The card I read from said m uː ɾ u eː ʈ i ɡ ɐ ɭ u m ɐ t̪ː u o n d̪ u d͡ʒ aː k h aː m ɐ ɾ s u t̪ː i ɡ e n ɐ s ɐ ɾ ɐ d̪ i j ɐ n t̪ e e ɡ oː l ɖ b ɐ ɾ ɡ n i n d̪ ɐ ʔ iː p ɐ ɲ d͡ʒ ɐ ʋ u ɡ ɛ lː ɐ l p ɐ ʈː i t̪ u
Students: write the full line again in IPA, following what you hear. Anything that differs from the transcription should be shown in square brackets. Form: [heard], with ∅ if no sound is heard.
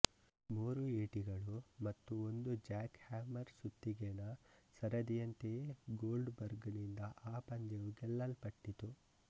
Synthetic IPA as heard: m uː ɾ u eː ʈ i ɡ ɐ ɭ u m ɐ t̪ː u o n d̪ u d͡ʒ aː k h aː m ɐ ɾ s u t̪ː i ɡ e n ɐ s ɐ ɾ ɐ d̪ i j ɐ n t̪ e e ɡ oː l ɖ b ɐ ɾ ɡ n i n d̪ ɐ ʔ [aː] p ɐ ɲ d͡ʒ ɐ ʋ u ɡ ɛ lː ɐ l p ɐ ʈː i t̪ u